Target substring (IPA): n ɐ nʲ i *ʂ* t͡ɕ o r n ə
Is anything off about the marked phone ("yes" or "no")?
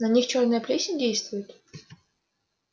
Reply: yes